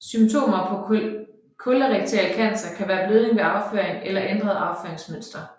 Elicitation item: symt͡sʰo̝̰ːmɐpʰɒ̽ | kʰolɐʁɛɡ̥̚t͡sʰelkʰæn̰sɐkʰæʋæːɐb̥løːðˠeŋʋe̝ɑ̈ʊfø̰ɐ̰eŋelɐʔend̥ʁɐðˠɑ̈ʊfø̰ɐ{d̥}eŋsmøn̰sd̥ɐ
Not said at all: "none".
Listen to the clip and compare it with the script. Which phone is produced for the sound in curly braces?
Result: none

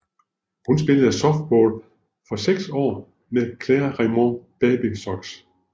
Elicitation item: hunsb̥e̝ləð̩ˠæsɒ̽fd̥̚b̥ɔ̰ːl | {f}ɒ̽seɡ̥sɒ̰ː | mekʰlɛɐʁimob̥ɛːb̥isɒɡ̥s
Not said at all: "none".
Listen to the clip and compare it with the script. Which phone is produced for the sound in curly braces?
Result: f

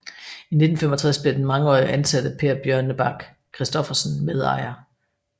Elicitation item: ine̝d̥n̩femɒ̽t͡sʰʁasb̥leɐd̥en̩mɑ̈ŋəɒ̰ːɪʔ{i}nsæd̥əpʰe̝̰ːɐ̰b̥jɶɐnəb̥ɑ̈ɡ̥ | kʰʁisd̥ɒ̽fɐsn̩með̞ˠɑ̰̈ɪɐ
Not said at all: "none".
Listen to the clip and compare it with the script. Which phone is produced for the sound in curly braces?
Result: æ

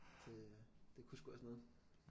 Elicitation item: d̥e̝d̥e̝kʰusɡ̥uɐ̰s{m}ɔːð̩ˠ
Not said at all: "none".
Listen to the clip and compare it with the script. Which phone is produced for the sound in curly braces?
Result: n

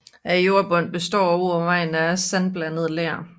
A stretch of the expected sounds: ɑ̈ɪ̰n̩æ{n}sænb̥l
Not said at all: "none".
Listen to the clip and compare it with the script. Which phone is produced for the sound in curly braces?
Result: none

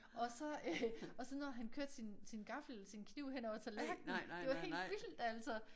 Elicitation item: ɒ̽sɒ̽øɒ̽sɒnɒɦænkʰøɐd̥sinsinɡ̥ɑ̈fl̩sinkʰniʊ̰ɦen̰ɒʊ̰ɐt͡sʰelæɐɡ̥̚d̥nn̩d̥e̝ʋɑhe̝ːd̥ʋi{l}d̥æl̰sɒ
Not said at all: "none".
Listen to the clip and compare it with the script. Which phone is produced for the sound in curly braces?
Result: l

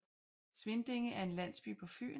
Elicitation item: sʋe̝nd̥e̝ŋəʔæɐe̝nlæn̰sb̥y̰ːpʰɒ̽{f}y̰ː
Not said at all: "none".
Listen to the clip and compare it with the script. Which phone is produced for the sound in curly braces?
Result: f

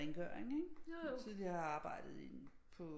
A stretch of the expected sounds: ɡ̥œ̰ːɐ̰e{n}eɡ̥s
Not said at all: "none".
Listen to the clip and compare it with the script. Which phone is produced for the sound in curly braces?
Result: ŋ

